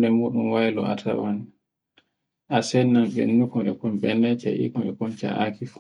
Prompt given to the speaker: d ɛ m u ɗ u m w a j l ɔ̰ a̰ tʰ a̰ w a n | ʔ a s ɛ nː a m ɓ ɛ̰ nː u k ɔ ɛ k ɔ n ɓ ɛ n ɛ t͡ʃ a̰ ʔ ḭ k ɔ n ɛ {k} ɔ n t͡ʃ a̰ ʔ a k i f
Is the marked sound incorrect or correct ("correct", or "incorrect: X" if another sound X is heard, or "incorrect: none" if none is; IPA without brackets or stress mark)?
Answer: correct